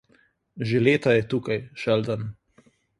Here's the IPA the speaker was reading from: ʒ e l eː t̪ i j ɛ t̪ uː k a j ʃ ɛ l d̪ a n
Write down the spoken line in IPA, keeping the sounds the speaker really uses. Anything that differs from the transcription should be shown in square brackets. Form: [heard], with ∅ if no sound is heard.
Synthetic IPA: ʒ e l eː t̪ [a] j ɛ t̪ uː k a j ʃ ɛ l d̪ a n